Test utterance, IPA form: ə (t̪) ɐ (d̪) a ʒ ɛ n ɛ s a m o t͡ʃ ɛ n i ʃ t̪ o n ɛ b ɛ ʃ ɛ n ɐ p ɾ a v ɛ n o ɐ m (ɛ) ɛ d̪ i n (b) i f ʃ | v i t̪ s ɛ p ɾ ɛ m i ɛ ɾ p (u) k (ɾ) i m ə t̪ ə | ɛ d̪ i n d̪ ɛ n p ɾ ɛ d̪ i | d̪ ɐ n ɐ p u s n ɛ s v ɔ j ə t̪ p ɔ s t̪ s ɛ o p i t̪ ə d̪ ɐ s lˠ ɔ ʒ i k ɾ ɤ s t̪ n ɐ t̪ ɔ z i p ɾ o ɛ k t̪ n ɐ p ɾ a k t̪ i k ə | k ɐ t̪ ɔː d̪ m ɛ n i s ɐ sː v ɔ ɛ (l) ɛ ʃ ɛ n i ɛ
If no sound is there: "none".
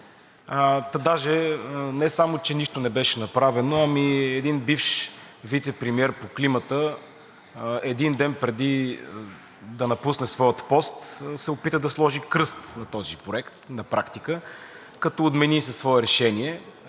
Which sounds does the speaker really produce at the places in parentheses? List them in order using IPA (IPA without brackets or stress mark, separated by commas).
t̪, d̪, i, b, o, l, ɾ